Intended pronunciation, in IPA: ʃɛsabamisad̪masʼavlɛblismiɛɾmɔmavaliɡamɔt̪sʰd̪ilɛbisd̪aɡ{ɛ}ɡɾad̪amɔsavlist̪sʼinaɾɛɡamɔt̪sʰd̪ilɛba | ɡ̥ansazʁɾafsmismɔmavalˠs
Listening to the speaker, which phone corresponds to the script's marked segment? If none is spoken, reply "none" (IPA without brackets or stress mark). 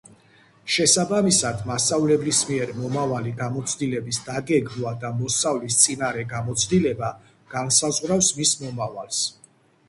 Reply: ɛ